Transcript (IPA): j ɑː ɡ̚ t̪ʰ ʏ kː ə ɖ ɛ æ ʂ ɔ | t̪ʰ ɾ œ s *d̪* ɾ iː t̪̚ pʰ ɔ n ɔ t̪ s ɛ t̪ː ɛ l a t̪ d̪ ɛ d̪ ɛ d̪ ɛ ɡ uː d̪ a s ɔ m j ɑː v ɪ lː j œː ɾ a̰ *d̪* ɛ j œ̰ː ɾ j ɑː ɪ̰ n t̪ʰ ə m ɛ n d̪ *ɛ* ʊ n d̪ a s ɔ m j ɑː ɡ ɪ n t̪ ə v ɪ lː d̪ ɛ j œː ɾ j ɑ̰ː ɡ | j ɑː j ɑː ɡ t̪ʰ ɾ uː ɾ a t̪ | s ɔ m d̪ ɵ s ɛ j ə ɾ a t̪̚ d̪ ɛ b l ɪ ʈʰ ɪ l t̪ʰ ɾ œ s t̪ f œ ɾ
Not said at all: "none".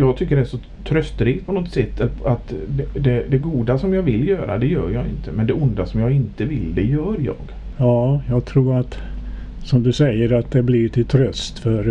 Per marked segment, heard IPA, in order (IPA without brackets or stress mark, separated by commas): t̪, d̪, ɛ